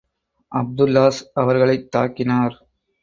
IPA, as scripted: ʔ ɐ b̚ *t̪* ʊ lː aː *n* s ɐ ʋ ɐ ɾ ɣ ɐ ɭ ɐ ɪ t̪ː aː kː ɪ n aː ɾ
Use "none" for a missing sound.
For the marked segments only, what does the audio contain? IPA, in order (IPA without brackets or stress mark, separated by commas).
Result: d̪, none